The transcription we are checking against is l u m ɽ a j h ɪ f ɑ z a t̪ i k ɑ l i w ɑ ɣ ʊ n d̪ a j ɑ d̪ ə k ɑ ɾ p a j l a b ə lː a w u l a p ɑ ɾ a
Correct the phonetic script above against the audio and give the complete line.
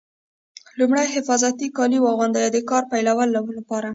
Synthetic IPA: l u m ɽ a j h ɪ f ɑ z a t̪ i k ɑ l i w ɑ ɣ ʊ n d̪ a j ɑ d̪ ə k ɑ ɾ p a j l a w ə lː a w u l a p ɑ ɾ a